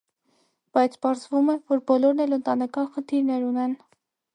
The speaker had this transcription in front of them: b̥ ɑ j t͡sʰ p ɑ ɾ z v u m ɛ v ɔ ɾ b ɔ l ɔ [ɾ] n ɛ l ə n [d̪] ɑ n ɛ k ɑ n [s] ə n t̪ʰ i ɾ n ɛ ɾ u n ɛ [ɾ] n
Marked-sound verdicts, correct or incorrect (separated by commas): correct, incorrect, incorrect, incorrect